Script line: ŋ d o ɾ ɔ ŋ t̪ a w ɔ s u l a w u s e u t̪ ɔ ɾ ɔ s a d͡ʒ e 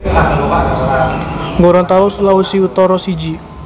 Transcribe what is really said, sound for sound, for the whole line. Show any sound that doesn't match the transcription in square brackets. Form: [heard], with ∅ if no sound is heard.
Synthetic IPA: ŋ [ɡ] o ɾ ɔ [n] t̪ a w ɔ s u l a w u s [i] u t̪ ɔ ɾ ɔ s [i] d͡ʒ [i]